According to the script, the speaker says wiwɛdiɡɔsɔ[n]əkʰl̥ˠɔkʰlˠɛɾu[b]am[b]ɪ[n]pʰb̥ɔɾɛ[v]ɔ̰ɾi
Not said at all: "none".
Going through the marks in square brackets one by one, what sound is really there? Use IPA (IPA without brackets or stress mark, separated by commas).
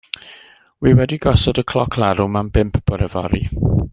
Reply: d, m, b, m, v